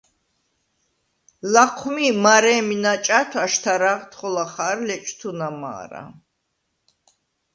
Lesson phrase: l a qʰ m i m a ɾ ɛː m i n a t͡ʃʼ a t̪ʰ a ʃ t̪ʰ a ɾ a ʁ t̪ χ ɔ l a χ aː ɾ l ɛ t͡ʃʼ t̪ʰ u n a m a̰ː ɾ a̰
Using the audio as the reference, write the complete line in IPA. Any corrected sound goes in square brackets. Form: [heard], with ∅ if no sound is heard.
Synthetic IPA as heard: l a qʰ m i m a ɾ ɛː m i n a t͡ʃʼ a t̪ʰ a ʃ t̪ʰ a ɾ a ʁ t̪ χ ɔ l a χ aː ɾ l ɛ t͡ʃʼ t̪ʰ u n a m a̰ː ɾ a̰